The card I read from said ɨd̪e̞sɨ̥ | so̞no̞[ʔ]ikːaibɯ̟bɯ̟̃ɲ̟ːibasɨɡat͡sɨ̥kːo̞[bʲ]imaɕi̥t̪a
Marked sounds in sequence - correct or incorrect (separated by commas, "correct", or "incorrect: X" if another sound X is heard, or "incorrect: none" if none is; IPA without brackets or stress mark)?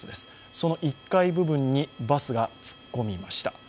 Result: correct, incorrect: mʲ